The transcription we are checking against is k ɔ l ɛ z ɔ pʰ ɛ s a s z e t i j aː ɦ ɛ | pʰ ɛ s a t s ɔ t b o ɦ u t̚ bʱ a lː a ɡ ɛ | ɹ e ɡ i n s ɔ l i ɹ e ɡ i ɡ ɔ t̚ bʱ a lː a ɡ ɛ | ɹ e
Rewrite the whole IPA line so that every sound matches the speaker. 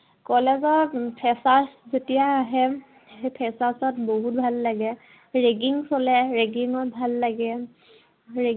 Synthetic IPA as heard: k ɔ l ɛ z ɔ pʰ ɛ s a s z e t i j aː ɦ ɛ | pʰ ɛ s a s ɔ t b o ɦ u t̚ bʱ a lː a ɡ ɛ | ɹ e ɡ i ŋ s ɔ l ɛ ɹ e ɡ i ŋ ɔ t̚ bʱ a lː a ɡ ɛ | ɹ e